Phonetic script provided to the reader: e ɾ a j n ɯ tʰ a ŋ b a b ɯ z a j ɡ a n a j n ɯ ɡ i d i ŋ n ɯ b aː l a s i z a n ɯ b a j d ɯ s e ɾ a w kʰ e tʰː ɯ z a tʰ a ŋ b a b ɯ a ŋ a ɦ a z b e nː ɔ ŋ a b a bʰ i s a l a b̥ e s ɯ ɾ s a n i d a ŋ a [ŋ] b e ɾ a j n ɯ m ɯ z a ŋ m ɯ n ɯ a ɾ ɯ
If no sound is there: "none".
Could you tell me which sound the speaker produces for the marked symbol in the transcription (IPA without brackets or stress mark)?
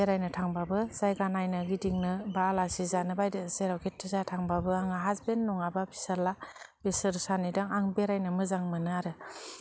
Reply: ŋ